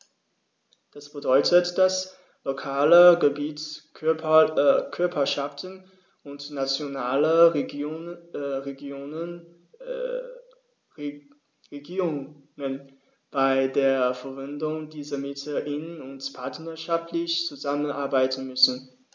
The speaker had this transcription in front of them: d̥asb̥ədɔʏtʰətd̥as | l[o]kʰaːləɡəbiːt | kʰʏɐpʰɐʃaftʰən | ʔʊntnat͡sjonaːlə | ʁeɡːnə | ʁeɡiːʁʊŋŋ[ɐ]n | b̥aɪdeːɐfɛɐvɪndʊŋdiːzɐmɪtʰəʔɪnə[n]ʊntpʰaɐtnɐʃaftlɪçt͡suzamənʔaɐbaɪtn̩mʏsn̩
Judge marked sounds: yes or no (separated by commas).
yes, no, yes